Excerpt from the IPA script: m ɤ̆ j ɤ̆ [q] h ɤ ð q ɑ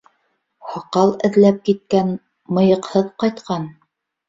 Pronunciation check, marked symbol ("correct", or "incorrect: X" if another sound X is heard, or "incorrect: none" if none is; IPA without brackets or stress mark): correct